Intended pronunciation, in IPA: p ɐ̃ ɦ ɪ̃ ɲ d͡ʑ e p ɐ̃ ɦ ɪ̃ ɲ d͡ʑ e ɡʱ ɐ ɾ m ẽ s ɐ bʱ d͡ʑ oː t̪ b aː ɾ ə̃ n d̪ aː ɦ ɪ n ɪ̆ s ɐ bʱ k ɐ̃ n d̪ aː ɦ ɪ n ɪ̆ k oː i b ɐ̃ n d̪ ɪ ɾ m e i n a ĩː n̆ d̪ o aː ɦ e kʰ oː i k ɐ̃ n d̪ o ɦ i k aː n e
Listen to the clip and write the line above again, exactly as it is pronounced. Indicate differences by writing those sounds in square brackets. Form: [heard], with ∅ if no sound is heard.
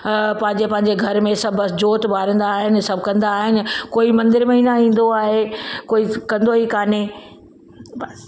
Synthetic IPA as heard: p ɐ̃ ɦ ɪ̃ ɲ d͡ʑ e p ɐ̃ ɦ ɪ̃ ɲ d͡ʑ e ɡʱ ɐ ɾ m ẽ s ɐ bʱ d͡ʑ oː t̪ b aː ɾ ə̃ n d̪ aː ɦ ɪ n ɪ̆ s ɐ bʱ k ɐ̃ n d̪ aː ɦ ɪ n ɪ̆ k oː i [m] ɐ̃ n d̪ ɪ ɾ m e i n a ĩː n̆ d̪ o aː ɦ e [k] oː i k ɐ̃ n d̪ o ɦ i k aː n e